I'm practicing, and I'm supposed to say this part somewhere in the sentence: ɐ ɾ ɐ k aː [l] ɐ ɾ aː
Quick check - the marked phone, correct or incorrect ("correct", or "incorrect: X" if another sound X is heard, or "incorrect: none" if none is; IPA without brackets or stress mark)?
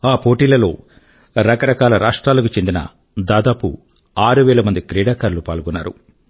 correct